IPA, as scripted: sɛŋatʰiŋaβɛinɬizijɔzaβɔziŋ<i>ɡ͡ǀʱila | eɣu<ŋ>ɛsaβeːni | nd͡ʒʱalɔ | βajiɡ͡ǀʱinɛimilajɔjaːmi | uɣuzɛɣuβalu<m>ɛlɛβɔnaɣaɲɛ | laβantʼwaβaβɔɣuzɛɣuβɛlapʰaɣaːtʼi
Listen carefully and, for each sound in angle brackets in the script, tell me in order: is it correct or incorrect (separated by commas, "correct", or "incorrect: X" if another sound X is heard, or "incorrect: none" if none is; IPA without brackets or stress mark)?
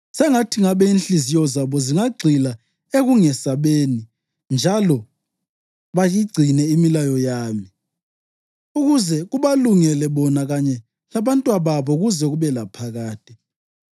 incorrect: a, correct, incorrect: ŋ